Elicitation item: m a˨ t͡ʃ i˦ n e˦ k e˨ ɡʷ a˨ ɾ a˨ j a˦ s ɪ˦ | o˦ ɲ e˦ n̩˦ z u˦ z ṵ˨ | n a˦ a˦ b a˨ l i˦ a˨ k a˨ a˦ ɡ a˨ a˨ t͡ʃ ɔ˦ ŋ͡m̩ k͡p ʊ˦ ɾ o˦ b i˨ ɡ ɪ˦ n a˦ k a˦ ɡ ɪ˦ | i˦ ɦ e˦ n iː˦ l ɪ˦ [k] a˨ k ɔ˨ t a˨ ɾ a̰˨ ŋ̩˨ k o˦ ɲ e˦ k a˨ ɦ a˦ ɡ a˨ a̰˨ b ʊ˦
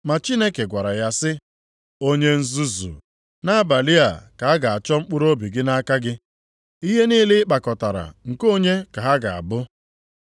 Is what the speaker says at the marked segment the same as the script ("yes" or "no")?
no